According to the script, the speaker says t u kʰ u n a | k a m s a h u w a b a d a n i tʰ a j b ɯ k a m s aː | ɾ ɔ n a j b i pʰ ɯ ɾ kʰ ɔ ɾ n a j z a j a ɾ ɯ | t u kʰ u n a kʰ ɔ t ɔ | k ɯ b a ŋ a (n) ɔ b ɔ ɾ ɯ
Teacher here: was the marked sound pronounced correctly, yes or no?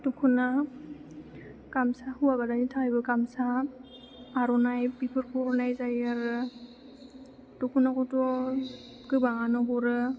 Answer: yes